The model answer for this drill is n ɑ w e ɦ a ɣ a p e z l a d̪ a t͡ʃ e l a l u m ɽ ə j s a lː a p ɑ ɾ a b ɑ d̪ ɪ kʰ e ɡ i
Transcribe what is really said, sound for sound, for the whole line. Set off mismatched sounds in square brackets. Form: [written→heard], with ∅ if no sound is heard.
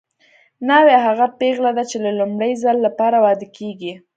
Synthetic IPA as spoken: n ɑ w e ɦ a ɣ a p e [z→ɣ] l a d̪ a t͡ʃ e l a l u m ɽ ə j [s→z] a lː a p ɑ ɾ a [b→w] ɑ d̪ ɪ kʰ e ɡ i